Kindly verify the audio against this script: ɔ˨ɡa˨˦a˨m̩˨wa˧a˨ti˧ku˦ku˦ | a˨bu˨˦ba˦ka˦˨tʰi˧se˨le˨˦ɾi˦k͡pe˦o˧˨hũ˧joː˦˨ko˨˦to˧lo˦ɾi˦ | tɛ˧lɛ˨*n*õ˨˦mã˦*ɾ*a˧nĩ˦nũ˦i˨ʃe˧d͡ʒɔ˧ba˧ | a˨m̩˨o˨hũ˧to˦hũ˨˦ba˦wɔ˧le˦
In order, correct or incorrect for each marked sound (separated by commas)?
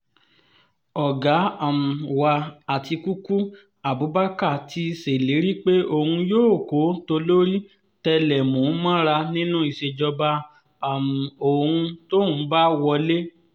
incorrect, correct